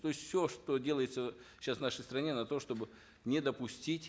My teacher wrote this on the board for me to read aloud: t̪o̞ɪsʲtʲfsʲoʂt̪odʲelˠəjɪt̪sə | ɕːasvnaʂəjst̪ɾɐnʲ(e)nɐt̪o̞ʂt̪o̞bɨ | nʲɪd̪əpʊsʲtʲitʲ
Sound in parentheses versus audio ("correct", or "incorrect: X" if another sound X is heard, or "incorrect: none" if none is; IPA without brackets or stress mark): correct